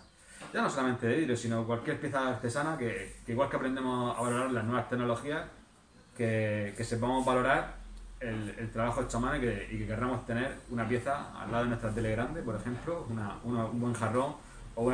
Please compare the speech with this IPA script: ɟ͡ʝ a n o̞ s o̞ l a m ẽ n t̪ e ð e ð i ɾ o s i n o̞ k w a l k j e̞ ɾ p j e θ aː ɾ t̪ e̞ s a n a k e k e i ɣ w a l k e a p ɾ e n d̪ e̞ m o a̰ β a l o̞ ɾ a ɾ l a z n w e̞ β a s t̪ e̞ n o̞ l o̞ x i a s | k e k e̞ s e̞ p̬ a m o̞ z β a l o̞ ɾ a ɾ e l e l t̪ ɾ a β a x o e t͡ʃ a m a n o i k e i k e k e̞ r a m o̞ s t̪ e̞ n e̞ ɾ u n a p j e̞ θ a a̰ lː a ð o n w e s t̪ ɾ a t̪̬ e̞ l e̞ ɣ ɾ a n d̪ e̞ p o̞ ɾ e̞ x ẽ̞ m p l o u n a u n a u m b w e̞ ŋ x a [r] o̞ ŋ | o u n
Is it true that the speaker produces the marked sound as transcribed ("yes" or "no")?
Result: yes